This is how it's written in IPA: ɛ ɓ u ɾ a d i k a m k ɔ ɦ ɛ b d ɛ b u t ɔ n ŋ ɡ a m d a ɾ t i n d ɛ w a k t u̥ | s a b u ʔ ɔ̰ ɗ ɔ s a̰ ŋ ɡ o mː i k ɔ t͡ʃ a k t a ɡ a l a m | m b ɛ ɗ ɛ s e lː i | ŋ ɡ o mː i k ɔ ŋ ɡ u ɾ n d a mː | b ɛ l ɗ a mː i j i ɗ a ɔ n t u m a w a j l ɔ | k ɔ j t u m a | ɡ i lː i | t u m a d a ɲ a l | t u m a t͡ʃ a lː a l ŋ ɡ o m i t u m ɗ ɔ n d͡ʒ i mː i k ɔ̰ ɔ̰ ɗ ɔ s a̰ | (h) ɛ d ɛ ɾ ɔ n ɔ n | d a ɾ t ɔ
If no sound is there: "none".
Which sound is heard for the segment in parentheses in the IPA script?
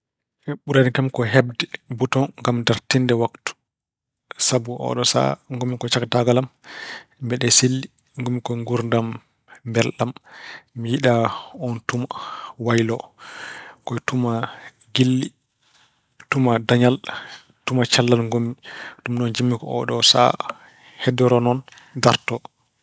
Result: h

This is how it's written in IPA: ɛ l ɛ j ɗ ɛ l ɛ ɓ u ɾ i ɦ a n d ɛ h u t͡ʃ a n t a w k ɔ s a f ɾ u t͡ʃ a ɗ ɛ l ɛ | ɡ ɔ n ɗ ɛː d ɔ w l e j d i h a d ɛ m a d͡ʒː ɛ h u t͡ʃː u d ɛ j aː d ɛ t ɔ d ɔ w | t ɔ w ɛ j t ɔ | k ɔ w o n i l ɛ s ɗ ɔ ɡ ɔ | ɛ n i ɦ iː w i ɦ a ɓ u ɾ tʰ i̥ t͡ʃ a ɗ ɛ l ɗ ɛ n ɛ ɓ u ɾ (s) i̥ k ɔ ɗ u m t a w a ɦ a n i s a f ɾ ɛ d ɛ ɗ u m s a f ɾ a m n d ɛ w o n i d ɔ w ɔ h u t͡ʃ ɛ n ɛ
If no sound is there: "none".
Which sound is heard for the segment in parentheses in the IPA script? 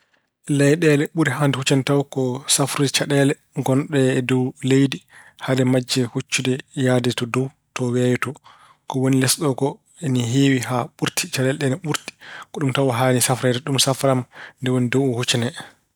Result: t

